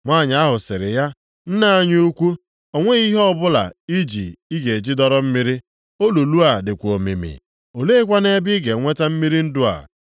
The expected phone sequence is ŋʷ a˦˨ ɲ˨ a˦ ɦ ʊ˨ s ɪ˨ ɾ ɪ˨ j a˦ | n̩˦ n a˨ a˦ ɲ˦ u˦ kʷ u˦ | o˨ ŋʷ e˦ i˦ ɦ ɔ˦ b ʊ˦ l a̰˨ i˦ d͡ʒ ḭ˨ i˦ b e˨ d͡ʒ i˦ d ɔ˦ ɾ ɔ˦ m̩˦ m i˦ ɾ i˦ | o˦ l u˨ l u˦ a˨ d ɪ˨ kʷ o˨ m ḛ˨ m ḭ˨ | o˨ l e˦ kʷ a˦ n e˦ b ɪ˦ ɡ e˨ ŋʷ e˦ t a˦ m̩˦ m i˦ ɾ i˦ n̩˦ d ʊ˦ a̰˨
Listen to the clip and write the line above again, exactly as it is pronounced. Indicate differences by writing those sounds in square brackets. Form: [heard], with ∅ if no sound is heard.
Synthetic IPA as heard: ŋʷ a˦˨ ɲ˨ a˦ ɦ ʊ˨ s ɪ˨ ɾ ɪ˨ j a˦ | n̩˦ n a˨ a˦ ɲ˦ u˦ kʷ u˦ | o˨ ŋʷ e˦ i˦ ɦ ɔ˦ b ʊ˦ l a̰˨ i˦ d͡ʒ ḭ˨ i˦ [ɡ] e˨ d͡ʒ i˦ d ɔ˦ ɾ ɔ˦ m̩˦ m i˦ ɾ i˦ | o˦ l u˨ l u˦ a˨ d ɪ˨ kʷ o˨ m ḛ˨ m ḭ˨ | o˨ l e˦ kʷ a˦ n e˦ b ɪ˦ ɡ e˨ ŋʷ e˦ t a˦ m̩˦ m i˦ ɾ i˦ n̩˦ d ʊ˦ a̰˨